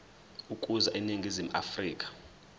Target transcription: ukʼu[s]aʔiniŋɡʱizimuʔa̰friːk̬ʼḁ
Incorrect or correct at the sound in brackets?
incorrect: z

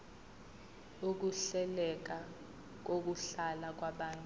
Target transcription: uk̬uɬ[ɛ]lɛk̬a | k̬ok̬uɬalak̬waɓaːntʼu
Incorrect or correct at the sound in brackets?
correct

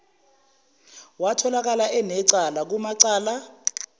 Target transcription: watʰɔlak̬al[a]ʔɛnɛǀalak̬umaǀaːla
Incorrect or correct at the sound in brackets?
correct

